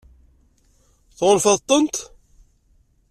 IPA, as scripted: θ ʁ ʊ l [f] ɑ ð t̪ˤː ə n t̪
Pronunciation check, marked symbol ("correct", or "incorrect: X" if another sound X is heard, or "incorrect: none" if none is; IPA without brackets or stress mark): correct